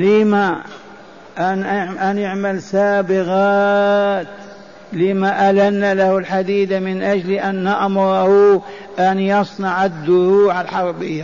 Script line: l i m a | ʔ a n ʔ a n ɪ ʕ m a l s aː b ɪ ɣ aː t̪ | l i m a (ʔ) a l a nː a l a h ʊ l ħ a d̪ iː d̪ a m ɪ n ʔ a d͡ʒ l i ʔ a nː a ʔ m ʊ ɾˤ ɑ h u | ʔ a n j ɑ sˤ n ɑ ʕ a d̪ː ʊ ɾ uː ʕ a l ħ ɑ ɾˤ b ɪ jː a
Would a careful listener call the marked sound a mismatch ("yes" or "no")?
no